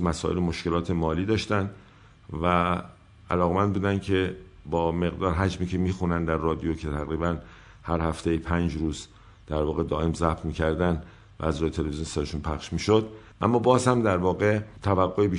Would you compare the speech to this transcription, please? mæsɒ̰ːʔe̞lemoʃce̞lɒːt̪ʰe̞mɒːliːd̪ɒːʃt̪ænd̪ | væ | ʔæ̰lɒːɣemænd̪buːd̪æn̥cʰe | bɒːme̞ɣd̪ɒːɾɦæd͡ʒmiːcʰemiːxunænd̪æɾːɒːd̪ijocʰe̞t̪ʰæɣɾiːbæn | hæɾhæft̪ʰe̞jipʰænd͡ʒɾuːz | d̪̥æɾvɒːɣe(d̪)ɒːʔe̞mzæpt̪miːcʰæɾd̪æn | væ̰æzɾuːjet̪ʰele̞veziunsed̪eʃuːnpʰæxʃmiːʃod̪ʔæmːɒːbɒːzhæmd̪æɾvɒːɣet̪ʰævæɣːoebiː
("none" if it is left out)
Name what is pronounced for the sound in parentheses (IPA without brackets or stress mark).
d̪